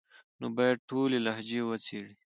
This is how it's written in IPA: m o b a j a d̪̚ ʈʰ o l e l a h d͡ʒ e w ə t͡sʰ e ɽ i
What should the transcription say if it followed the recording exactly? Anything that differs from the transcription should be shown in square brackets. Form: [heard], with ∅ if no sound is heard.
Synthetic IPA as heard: [n] o b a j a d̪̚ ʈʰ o l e l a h d͡ʒ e w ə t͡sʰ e ɽ i

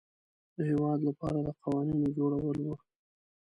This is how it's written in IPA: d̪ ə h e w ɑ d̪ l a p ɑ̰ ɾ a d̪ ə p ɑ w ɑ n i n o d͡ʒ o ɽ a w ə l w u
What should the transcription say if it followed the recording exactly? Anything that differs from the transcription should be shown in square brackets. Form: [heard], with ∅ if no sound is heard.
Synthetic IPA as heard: d̪ ə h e w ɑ d̪ l a p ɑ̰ ɾ a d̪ ə [q] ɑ w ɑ n i n o d͡ʒ o ɽ a w ə l w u

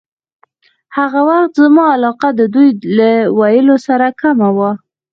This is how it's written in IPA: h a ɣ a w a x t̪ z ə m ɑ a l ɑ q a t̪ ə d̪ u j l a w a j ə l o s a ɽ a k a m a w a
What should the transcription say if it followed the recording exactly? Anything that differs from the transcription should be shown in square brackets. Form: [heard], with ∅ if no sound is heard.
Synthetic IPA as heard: h a ɣ a w a x t̪ z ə m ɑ a l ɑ q a [d̪] ə d̪ u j l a w a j ə l o s a [ɾ] a k a m a w a

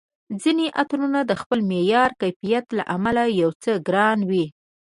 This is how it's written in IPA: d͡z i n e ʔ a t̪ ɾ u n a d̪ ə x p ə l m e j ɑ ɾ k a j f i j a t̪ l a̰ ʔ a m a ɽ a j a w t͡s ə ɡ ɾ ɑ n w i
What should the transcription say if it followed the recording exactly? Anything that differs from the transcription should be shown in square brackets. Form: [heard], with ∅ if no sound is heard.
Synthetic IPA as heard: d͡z i n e ʔ a t̪ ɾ u n a d̪ ə x p ə l m e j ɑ ɾ k a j f i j a t̪ l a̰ ʔ a m a [l] a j a w t͡s ə ɡ ɾ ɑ n w i

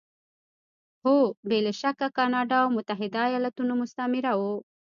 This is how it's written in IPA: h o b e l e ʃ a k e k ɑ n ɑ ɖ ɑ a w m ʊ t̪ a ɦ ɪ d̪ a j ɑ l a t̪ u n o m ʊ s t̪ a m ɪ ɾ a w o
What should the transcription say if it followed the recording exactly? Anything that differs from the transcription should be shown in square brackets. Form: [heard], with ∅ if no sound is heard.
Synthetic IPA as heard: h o b e l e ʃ a k [a] k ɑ n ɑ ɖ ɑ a w m ʊ t̪ a ɦ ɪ d̪ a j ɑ l a t̪ u n o m ʊ s t̪ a m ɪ ɾ a w o

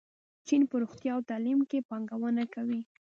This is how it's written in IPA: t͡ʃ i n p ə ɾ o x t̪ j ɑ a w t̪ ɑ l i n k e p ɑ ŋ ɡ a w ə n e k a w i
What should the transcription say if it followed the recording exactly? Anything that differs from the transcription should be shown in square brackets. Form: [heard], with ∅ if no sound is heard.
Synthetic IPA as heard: t͡ʃ i n p ə ɾ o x t̪ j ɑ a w t̪ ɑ l i [m] k e p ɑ ŋ ɡ a w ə n [a] k a w i

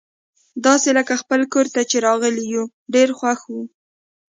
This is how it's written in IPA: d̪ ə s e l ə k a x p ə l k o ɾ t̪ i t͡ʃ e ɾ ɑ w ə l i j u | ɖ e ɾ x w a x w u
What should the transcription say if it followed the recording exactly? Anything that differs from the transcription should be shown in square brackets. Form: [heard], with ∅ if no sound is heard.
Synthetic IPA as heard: d̪ [ɑ] s e l ə k a x p ə l k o ɾ t̪ [a] t͡ʃ e ɾ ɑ [ɣ] ə l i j u | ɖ e ɾ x w a x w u

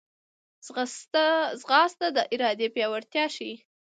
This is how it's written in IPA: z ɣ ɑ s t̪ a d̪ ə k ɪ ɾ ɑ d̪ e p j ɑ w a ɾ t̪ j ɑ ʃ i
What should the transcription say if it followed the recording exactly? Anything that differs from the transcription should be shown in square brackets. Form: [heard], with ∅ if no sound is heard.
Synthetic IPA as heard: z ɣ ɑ s t̪ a d̪ ə [ʔ] ɪ ɾ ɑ d̪ e p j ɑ w a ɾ t̪ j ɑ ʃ i

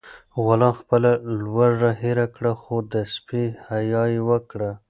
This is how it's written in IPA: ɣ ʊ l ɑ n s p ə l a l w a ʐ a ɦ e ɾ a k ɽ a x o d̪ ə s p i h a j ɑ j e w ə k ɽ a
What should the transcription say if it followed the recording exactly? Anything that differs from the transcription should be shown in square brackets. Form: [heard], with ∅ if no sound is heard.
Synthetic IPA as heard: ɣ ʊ l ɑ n [x] p ə l a l w a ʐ a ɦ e ɾ a k ɽ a x o d̪ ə s p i h a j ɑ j e w ə k ɽ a

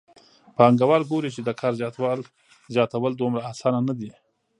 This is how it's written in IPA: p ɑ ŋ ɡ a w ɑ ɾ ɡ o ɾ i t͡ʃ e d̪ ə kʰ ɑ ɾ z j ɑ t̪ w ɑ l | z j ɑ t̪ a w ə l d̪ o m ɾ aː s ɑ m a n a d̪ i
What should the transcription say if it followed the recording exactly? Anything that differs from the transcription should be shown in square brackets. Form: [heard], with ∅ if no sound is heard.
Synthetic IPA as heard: p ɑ ŋ ɡ a w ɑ ɾ ɡ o ɾ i t͡ʃ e d̪ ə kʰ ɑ ɾ z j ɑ t̪ w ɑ l | z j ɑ t̪ a w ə l d̪ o m ɾ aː s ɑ [n] a n a d̪ i

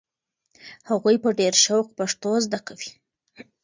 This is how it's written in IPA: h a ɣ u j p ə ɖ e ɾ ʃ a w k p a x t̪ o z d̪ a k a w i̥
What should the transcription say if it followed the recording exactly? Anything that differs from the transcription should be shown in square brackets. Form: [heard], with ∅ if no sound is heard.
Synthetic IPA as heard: h a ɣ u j p ə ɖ e ɾ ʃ a w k p a [ʂ] t̪ o z d̪ a k a w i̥

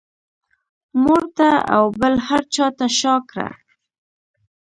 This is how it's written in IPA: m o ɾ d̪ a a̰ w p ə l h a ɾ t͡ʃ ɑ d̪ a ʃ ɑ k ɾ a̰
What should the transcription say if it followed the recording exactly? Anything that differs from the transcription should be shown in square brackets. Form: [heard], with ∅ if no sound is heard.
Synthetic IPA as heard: m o ɾ [t̪] a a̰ w [b] ə l h a ɾ t͡ʃ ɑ [t̪] a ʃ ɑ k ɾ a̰

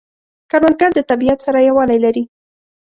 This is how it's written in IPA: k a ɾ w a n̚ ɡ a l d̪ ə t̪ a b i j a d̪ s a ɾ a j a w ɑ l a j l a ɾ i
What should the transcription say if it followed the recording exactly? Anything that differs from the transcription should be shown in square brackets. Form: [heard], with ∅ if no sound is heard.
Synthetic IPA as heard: k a ɾ w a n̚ ɡ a [ɾ] d̪ ə t̪ a b i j a [t̪] s a ɾ a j a w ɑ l a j l a ɾ i

